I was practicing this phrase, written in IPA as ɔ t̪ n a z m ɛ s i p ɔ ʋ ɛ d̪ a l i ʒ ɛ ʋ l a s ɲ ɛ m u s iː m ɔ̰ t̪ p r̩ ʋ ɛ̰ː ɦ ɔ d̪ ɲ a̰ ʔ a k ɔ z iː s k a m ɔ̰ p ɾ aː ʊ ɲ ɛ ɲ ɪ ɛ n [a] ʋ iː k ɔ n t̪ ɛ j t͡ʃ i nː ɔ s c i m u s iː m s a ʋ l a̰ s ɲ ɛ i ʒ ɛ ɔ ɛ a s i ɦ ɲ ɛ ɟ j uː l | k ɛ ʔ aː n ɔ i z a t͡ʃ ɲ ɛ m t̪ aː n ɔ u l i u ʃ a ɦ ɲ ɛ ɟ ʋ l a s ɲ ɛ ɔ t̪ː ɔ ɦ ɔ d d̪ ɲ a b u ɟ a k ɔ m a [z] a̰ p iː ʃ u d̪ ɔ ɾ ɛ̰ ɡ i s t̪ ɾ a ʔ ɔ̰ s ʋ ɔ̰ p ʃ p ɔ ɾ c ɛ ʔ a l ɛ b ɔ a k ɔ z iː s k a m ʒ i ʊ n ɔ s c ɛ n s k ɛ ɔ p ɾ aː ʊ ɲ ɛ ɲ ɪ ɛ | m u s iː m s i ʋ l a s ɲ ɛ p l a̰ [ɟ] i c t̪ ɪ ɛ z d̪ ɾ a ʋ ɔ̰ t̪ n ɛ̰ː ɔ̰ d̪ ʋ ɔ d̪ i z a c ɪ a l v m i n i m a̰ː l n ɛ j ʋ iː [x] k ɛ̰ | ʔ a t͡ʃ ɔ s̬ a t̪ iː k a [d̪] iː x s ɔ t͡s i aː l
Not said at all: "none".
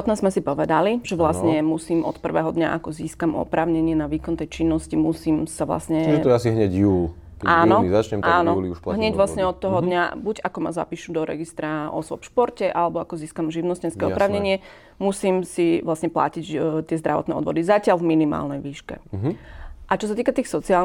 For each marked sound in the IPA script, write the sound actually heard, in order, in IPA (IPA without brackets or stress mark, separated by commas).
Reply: a, z, c, ʃ, t̪